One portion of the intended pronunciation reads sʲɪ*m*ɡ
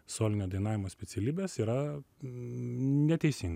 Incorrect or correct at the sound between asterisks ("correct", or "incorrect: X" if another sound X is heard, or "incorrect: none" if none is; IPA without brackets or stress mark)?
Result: incorrect: ŋ